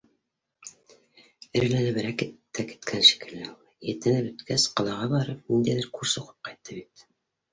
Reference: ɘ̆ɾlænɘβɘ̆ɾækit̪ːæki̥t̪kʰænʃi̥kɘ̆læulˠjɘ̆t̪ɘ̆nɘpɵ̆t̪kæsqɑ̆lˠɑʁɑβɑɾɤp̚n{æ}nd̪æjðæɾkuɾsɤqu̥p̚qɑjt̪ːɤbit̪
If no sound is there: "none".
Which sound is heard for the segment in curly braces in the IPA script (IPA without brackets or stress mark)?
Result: i